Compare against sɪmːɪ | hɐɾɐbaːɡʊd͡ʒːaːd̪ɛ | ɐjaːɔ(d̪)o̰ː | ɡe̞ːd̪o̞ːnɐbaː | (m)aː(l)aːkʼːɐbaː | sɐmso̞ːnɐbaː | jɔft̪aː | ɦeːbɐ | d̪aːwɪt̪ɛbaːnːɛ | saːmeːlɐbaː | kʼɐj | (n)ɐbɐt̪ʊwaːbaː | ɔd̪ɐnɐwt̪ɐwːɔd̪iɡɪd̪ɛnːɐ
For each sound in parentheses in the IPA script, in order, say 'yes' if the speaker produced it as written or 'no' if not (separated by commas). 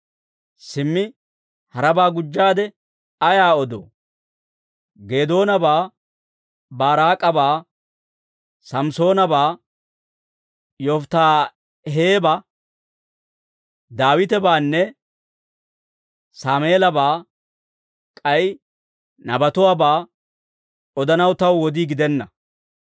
yes, no, no, yes